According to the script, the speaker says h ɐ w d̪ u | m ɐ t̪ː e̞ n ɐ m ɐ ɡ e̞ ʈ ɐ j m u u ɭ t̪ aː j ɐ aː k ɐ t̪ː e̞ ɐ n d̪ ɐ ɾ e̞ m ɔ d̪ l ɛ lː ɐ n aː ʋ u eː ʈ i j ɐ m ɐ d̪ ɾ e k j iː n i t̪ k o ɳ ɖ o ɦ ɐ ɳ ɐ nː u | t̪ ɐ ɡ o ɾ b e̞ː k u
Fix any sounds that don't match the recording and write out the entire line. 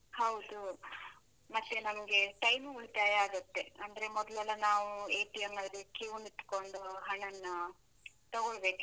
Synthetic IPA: h ɐ w d̪ u | m ɐ t̪ː e̞ n ɐ m ɐ ɡ e̞ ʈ ɐ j m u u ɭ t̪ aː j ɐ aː ɡ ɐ t̪ː e̞ ɐ n d̪ ɐ ɾ e̞ m ɔ d̪ l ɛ lː ɐ n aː ʋ u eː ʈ i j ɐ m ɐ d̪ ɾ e k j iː n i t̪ k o ɳ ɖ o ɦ ɐ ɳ ɐ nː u | t̪ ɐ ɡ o ɭ b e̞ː k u

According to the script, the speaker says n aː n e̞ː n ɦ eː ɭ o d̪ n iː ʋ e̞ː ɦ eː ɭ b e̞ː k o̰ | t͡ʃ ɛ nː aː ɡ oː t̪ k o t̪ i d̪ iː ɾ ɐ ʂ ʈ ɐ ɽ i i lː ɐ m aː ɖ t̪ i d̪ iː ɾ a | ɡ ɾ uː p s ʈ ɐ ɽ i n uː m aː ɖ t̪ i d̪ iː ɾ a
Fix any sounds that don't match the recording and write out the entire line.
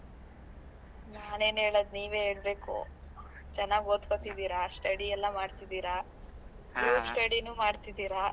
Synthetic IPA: n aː n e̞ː n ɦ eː ɭ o d̪ n iː ʋ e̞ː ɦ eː ɭ b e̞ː k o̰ | t͡ʃ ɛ nː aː ɡ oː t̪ k o t̪ i d̪ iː ɾ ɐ s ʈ ɐ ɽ i ɛ lː ɐ m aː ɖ t̪ i d̪ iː ɾ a | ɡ ɾ uː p s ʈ ɐ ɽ i n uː m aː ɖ t̪ i d̪ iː ɾ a

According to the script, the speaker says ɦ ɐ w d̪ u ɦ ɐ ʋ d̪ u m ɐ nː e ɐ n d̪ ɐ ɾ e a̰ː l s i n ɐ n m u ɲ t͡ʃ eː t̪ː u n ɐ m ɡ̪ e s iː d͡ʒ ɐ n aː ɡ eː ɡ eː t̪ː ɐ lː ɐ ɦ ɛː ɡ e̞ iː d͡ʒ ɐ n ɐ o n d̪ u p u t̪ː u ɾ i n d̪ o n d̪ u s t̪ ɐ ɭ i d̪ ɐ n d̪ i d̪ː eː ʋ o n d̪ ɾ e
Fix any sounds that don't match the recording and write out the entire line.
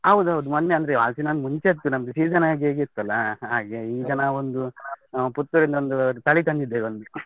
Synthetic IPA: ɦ ɐ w d̪ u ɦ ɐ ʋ d̪ u m ɐ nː e ɐ n d̪ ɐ ɾ e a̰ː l s i n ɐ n m u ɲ t͡ʃ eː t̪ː u n ɐ m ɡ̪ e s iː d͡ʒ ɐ n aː ɡ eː ɡ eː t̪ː ɐ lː ɐ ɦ aː ɡ e̞ iː d͡ʒ ɐ n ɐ o n d̪ u p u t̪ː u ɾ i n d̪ o n d̪ u t̪ ɐ ɭ i t̪ ɐ n d̪ i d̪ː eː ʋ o n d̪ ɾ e

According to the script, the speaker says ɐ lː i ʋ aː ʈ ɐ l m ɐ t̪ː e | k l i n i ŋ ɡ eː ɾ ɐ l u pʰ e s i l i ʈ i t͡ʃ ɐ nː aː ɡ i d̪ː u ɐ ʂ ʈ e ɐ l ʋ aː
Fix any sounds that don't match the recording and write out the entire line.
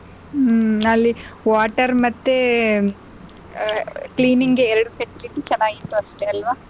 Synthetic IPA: ɐ lː i ʋ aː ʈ ɐ ɾ m ɐ t̪ː e | k l iː n i ŋ ɡ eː ɾ ɐ ɽ u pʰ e s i l i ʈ i t͡ʃ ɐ nː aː ɡ i t̪ː u ɐ ʂ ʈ e ɐ l ʋ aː

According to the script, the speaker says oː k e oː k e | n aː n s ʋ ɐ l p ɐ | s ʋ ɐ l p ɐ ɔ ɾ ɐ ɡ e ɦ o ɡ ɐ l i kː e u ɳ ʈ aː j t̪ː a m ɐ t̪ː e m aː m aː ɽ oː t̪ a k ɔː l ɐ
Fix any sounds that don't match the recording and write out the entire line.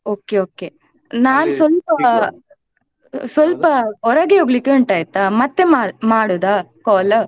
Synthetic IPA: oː k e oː k e | n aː n s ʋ ɐ l p ɐ | s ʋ ɐ l p ɐ ɔ ɾ ɐ ɡ e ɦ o ɡ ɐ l i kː e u ɳ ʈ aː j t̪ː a m ɐ t̪ː e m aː m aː ɽ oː d̪ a k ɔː l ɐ

